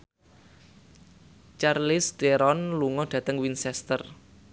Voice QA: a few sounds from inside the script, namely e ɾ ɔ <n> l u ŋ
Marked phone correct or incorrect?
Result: correct